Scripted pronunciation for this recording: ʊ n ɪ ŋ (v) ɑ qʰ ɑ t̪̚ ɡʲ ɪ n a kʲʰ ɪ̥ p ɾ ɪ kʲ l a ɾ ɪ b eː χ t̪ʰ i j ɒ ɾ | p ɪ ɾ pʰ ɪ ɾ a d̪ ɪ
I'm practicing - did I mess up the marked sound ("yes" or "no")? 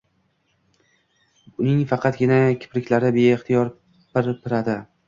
yes